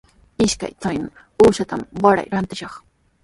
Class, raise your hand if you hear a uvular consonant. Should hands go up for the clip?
yes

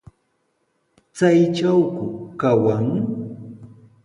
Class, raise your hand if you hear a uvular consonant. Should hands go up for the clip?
no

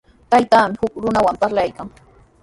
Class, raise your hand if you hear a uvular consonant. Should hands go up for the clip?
no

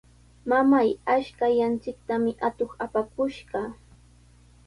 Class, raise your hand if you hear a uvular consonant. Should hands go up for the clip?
yes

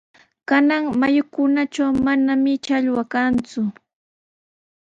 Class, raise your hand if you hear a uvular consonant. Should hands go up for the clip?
no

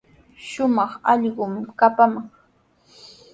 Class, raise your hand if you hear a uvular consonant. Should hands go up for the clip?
yes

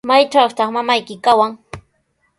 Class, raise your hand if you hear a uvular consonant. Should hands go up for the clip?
yes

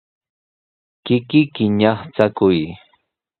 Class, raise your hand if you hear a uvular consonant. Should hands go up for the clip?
yes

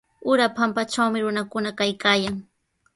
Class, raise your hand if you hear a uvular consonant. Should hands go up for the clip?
no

